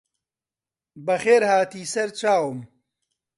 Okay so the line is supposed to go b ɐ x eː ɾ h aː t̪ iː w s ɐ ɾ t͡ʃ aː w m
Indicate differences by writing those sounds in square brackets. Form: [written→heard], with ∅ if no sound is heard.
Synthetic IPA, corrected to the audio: b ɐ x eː ɾ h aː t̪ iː [w→∅] s ɐ ɾ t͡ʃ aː w m